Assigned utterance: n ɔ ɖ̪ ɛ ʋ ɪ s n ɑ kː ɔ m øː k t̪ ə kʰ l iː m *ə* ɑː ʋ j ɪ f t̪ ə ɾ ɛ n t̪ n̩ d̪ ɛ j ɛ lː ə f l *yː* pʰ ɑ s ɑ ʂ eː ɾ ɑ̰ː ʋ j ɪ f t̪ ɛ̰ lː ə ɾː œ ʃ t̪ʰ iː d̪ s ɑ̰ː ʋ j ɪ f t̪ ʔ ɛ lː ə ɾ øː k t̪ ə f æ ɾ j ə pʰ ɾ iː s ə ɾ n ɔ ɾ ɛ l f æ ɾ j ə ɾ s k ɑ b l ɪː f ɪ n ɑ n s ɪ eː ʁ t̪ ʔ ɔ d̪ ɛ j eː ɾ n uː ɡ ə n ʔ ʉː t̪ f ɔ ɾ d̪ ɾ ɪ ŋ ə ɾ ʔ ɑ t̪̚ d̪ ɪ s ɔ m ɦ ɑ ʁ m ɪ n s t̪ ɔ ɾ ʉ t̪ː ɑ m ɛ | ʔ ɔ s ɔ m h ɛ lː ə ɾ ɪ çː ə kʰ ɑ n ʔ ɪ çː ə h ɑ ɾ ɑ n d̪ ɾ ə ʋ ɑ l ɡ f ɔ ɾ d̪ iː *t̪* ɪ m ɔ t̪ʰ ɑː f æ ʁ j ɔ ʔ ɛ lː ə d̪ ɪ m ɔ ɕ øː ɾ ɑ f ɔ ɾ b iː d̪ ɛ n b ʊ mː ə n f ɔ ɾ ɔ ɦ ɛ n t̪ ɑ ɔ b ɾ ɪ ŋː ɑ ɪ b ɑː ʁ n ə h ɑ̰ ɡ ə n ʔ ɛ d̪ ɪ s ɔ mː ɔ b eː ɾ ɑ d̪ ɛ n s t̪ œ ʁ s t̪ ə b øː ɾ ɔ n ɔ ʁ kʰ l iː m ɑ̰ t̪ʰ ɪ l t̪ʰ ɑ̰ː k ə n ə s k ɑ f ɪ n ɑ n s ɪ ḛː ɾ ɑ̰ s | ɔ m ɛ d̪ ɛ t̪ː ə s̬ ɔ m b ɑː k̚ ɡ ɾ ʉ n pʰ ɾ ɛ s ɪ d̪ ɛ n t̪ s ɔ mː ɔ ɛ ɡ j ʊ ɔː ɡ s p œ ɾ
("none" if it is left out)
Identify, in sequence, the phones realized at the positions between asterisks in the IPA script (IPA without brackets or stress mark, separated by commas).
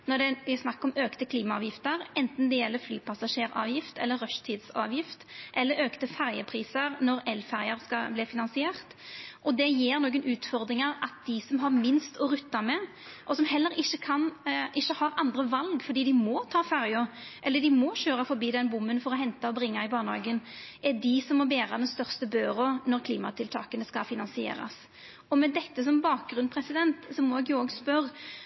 ɑ, yː, d̪